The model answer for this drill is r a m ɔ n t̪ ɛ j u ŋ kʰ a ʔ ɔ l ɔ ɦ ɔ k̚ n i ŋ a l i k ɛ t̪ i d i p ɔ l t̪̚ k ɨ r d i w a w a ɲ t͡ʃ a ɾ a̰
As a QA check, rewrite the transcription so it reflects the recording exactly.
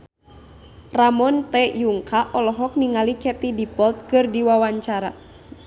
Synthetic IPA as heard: r a m ɔ n t̪ ɛ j u ŋ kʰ a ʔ ɔ l ɔ ɦ ɔ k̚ n i ŋ a l i k ɛ t̪ i d i p ɔ l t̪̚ k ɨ r d i w a w a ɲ t͡ʃ a ɾ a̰